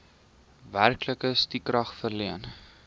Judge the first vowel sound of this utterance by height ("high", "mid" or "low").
low